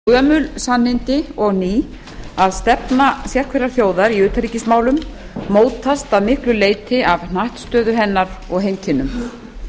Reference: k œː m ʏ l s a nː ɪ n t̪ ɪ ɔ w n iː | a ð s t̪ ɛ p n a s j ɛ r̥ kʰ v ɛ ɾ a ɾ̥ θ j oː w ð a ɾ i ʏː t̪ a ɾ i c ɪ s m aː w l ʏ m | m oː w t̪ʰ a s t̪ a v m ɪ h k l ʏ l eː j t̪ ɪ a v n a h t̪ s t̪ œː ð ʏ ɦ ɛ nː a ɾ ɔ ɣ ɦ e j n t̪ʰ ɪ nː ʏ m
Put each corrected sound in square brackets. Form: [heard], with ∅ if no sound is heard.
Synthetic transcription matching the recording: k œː m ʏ l s a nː ɪ n t̪ ɪ ɔ [ɣ] n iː | a ð s t̪ ɛ p n a s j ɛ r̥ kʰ v ɛ ɾ a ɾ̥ θ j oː w ð a ɾ i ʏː t̪ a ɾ i c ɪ s m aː w l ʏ m | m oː w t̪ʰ a s t̪ a [ð] m ɪ h k l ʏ l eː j t̪ ɪ a v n a h t̪ s t̪ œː ð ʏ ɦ ɛ nː a ɾ ɔ ɣ ɦ e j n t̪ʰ ɪ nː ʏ m

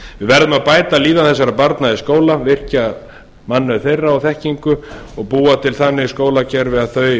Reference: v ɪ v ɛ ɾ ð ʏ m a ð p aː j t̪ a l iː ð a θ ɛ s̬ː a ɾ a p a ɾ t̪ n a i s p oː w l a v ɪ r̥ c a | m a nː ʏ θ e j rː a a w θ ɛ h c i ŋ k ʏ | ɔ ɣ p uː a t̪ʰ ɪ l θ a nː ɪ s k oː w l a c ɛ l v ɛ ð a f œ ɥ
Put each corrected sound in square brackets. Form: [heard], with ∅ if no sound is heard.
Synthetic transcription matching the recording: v ɪ v ɛ ɾ ð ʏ m a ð p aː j t̪ a l iː ð a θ ɛ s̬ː a ɾ a p a ɾ t̪ n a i s [k] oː w l a v ɪ r̥ c a | m a nː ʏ θ e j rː a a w θ ɛ h c i ŋ k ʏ | ɔ ɣ p uː a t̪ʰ ɪ l θ a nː ɪ s k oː w l a c ɛ [ɾ] v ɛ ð a [θ] œ ɥ

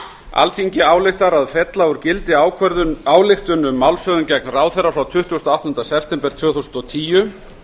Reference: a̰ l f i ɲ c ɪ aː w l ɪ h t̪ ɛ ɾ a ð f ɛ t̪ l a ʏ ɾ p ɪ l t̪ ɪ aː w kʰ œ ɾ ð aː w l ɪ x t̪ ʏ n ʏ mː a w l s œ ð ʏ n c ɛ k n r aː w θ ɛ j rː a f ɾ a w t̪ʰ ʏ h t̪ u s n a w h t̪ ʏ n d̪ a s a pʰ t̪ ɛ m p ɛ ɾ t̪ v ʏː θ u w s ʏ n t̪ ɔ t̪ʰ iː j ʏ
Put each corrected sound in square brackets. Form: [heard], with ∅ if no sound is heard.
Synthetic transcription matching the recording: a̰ l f i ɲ c ɪ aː w l ɪ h t̪ [a] ɾ a ð f ɛ t̪ l a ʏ ɾ [c] ɪ l t̪ ɪ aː w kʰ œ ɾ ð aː w l ɪ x t̪ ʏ n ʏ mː a w l s œ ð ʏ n c ɛ k n r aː w θ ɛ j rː a f ɾ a w t̪ʰ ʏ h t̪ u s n a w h t̪ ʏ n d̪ a s [ɛ] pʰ t̪ ɛ m p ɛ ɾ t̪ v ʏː θ u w s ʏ n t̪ ɔ t̪ʰ iː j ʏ

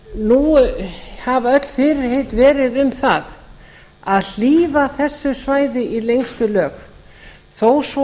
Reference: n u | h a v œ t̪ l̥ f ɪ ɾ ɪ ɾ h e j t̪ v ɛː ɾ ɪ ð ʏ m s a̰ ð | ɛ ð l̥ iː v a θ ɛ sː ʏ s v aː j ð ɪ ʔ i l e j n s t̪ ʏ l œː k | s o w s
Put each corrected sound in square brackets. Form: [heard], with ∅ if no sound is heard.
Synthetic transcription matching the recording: n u | h a v œ t̪ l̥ f ɪ ɾ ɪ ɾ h e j t̪ v ɛː ɾ ɪ ð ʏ m [θ] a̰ ð | [a] ð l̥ iː v a θ ɛ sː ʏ s v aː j ð ɪ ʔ i l e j [ŋ] s t̪ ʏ l œː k | [θ] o w s

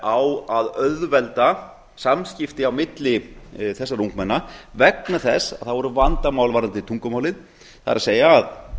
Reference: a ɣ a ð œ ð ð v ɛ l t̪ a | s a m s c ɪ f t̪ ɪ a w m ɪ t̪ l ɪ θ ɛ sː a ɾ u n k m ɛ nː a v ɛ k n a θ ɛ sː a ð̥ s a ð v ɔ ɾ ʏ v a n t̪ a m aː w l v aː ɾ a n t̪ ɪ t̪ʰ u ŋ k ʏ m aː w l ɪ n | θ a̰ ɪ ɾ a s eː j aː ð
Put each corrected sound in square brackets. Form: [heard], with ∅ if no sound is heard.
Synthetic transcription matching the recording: a [w] a ð œ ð ð v ɛ l t̪ a | s a m s c ɪ f t̪ ɪ a w m ɪ t̪ l ɪ θ ɛ sː a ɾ u [ŋ] k m ɛ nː a v ɛ k n a θ ɛ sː a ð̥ [θ] a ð v ɔ ɾ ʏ v a n t̪ a m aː w l v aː ɾ a n t̪ ɪ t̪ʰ u ŋ k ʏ m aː w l ɪ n | θ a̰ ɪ ɾ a s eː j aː ð

